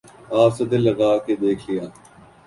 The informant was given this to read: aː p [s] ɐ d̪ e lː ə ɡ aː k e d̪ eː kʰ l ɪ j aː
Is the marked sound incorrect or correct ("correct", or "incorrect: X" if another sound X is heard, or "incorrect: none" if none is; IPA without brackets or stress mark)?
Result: correct